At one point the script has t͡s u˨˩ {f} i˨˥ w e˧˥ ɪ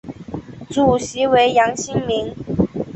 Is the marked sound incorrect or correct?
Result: incorrect